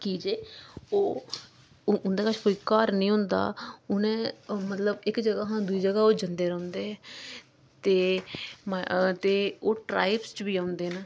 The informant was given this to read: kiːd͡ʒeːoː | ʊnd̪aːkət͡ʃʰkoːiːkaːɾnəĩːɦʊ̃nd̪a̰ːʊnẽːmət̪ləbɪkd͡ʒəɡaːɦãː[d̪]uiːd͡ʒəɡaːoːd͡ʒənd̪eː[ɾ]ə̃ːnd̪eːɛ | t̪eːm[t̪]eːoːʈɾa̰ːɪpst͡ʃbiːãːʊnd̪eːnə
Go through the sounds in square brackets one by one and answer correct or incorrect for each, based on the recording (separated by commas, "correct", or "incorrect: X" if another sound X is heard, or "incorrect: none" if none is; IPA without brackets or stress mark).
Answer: correct, correct, correct